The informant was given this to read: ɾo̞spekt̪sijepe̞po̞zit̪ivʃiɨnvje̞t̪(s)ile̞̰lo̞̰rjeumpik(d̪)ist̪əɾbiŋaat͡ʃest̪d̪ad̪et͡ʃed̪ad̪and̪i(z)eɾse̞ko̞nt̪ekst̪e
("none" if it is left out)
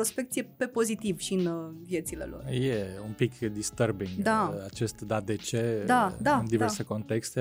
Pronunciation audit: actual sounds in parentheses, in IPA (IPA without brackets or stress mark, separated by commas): s, d̪, v